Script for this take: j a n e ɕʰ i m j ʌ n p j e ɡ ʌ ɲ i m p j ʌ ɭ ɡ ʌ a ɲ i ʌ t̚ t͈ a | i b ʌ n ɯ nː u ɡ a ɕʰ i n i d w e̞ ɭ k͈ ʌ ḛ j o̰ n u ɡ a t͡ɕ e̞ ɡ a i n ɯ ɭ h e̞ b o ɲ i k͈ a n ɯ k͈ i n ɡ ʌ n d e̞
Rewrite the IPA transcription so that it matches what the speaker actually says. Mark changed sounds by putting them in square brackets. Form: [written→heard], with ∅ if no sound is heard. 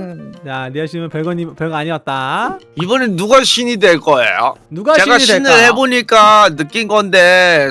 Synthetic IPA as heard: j a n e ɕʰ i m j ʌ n p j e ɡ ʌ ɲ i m p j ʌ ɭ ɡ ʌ a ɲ i ʌ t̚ t͈ a | i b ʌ n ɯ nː u ɡ a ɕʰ i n i d w e̞ ɭ k͈ ʌ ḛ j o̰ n u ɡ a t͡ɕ e̞ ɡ a i n ɯ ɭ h e̞ b o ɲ i k͈ a n ɯ k͈ i n ɡ ʌ n d e̞